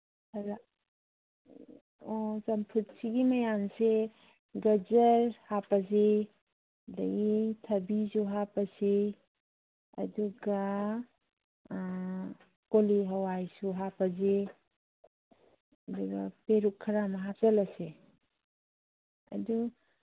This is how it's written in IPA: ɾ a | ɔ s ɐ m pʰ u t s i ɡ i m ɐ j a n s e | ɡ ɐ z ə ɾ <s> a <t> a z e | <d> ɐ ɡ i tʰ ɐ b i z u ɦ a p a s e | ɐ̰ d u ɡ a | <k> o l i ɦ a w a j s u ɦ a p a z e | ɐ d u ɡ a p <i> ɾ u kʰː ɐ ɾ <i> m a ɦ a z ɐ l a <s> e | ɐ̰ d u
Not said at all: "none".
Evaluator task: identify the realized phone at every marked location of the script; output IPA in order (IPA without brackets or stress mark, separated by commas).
h, p, d, k, e, a, s